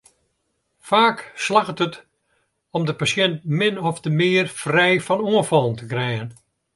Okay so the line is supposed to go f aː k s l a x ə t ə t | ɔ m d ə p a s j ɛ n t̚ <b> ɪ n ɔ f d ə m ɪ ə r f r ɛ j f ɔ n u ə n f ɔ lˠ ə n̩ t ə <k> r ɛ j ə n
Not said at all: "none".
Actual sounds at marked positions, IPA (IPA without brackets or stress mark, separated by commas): m, k